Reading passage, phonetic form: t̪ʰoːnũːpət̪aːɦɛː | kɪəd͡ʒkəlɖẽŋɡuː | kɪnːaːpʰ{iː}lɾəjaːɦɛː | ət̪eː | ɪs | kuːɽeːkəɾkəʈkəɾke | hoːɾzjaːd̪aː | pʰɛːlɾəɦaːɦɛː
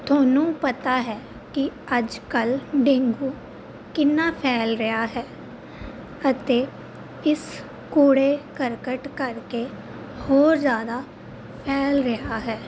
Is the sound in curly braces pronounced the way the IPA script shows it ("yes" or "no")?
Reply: no